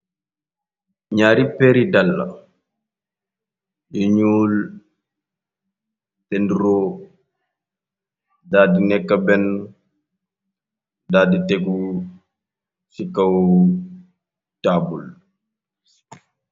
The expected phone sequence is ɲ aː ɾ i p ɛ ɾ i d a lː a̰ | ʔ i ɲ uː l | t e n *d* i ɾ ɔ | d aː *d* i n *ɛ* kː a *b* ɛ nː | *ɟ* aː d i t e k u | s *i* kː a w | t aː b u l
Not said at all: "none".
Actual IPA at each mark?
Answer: d, d, ɛ, b, d, i

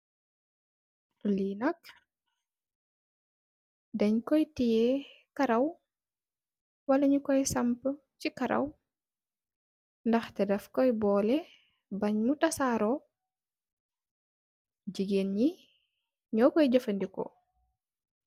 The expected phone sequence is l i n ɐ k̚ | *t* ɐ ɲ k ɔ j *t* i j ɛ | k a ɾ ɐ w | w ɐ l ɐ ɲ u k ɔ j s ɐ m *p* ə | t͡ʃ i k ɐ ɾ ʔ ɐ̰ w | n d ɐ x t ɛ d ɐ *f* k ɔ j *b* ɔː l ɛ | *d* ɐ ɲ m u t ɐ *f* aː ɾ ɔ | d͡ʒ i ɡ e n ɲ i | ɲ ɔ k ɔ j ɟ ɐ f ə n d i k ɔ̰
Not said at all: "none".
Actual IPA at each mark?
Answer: d, t, p, f, b, b, s

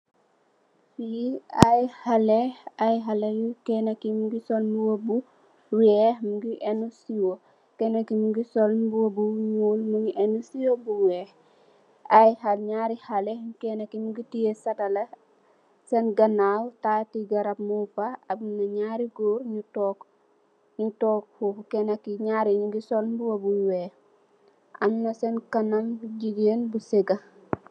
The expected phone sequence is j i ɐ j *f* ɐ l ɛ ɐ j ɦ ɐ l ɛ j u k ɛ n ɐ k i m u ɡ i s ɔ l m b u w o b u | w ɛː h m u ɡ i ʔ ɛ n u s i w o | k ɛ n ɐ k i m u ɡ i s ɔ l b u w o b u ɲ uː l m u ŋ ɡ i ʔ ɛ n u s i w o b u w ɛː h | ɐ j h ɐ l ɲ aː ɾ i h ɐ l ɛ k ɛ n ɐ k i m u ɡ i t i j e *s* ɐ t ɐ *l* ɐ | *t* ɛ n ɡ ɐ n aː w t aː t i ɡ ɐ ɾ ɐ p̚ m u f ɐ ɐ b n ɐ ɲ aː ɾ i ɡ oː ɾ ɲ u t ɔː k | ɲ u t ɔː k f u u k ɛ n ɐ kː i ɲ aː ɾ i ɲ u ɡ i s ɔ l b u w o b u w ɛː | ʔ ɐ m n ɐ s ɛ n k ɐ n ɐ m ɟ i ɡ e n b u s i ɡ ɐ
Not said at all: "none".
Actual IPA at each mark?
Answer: h, s, l, s

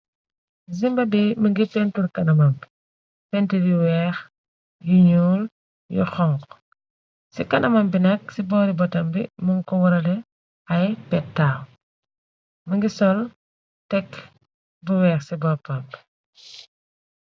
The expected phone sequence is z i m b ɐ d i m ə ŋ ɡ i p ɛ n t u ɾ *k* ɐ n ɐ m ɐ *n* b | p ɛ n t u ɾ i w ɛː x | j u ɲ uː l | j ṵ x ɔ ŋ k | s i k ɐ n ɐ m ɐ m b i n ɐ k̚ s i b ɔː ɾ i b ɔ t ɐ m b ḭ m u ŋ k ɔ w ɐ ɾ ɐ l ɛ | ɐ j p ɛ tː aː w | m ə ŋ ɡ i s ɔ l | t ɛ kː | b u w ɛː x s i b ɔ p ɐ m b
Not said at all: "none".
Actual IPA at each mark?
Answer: k, m

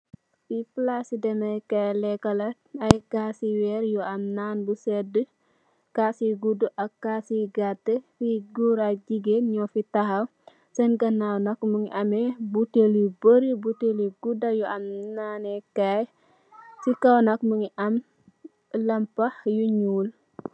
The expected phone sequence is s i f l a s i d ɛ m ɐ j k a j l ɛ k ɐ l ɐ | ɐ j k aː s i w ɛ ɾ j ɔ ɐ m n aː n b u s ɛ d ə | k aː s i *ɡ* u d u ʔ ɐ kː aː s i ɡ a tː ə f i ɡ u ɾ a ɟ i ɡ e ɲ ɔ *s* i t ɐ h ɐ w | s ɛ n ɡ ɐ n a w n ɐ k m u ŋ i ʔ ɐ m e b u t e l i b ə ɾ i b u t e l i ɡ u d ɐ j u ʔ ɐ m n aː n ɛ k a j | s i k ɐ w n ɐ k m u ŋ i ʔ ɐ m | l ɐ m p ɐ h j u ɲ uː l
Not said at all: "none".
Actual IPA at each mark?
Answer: ɡ, f

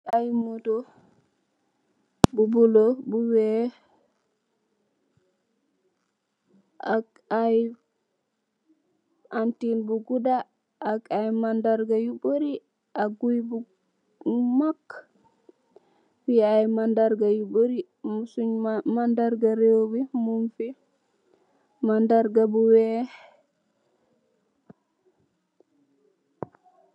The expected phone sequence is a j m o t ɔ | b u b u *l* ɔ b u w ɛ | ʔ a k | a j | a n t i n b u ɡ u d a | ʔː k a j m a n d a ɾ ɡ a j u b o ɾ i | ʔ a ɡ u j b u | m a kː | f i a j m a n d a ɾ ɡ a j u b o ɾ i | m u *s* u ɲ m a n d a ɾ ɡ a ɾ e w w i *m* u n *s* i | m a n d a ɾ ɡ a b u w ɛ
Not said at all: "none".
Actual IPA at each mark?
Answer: l, s, m, f

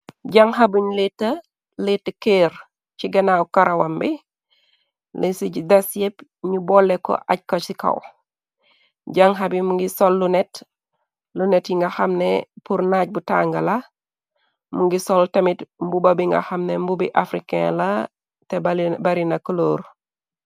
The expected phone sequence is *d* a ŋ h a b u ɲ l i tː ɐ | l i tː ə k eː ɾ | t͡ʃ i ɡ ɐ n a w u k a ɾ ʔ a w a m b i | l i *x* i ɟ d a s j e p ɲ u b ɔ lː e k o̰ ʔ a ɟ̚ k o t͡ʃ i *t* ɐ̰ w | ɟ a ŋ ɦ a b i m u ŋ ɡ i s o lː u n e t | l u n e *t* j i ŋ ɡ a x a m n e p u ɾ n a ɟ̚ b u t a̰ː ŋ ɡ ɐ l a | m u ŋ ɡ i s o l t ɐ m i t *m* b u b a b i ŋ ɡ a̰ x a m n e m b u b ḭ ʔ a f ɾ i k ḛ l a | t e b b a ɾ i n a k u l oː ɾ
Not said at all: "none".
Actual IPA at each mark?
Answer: ɟ, s, k, t, m

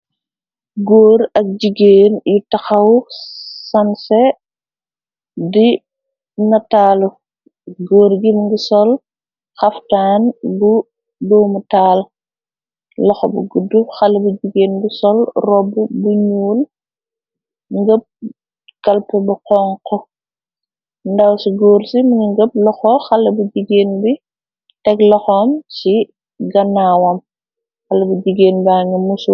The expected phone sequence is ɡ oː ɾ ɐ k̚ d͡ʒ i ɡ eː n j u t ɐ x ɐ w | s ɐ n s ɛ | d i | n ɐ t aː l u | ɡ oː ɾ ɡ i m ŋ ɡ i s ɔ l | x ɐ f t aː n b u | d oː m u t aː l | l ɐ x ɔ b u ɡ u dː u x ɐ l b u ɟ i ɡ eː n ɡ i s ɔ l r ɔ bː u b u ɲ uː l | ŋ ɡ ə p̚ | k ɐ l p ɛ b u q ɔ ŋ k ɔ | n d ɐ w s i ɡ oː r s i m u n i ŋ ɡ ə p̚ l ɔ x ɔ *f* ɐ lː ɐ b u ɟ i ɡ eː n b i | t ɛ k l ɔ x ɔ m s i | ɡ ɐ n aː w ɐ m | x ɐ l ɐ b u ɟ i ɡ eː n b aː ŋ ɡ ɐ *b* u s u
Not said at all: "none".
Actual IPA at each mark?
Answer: x, m

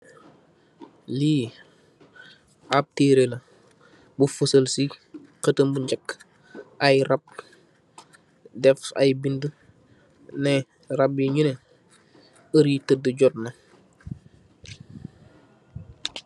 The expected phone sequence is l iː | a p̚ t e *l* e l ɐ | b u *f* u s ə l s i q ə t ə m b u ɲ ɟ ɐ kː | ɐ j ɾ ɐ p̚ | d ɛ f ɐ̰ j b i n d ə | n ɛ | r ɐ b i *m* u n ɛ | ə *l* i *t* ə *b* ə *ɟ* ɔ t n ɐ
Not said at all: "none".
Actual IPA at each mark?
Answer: ɾ, f, ɲ, ɾ, t, d, ɟ

